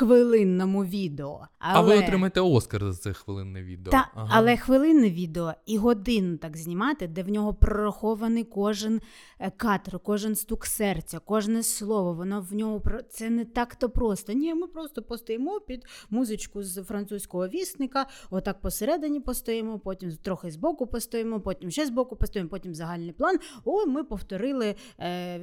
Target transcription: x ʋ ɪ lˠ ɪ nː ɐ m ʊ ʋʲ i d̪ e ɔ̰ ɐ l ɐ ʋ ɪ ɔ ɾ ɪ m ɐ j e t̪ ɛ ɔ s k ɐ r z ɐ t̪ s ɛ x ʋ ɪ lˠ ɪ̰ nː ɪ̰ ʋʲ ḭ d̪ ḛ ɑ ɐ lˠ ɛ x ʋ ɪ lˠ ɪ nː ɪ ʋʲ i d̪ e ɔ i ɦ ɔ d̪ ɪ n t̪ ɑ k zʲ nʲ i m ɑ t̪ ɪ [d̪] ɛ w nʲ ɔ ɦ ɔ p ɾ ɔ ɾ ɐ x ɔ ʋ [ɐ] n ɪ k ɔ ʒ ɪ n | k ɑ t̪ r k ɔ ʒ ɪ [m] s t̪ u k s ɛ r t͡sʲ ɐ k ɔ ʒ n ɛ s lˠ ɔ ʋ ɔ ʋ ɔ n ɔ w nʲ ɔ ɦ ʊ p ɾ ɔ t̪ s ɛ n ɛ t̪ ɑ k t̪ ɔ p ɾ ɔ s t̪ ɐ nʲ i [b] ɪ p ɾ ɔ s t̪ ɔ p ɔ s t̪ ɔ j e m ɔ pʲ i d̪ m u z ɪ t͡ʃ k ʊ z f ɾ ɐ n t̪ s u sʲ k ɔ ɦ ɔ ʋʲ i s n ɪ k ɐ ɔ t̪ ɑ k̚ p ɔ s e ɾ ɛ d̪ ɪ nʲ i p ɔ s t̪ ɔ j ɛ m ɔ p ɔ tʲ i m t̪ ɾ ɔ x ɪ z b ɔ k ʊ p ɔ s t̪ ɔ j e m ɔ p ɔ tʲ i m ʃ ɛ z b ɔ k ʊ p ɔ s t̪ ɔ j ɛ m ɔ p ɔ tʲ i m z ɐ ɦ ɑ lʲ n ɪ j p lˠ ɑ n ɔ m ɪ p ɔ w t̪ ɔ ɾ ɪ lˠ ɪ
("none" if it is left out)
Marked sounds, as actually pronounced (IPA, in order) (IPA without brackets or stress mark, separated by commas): d̪, ɐ, n, m